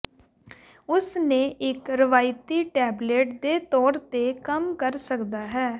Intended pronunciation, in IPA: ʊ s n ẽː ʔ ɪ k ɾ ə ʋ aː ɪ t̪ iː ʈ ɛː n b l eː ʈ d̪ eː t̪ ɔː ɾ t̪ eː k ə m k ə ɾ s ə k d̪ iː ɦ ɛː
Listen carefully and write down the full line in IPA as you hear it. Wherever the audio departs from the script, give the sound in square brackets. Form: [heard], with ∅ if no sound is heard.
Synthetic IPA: ʊ s n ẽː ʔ ɪ k ɾ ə ʋ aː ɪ t̪ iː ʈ ɛː [∅] b l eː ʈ d̪ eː t̪ ɔː ɾ t̪ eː k ə m k ə ɾ s ə k d̪ [aː] ɦ ɛː